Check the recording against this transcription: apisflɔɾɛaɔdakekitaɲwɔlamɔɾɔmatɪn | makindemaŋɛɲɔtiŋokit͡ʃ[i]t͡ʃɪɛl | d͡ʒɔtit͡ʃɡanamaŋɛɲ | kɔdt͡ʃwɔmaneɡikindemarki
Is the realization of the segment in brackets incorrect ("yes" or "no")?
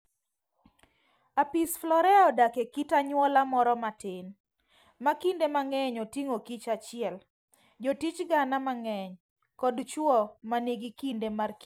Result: yes